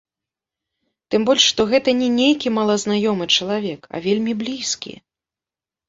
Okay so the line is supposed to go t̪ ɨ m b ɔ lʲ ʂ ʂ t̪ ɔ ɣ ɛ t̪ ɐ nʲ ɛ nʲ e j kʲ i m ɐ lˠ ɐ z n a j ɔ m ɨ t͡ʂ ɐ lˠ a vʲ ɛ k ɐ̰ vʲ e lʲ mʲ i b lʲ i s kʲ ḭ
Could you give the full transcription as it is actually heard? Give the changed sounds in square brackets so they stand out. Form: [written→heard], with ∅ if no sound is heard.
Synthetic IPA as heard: t̪ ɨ m b ɔ lʲ ʂ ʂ t̪ ɔ ɣ ɛ t̪ ɐ nʲ ɛ nʲ e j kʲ i m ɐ lˠ ɐ z n a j ɔ m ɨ t͡ʂ ɐ lˠ a vʲ ɛ k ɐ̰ vʲ e lʲ mʲ i b lʲ i s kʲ ḭ